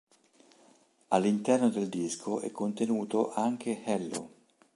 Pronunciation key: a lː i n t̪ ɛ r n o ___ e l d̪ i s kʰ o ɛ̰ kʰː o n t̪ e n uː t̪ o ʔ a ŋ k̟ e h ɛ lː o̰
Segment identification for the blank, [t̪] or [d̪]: d̪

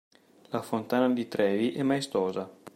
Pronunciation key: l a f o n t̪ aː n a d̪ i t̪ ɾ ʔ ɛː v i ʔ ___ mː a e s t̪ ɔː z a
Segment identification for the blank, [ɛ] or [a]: ɛ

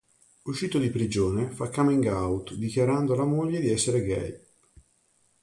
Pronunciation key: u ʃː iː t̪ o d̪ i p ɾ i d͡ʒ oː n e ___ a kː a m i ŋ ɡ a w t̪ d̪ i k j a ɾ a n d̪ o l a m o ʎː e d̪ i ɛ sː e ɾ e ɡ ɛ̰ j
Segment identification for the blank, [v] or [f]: f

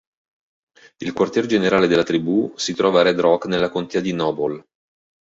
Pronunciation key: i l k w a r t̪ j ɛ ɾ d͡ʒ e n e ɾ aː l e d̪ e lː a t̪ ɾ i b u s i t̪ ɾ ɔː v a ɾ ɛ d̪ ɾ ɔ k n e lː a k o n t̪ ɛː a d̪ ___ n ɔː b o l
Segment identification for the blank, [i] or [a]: i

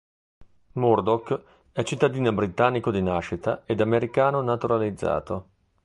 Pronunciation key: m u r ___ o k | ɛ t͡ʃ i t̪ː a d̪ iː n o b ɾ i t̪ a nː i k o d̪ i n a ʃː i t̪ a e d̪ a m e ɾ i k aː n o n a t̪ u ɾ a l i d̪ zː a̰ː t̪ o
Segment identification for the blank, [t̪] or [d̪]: d̪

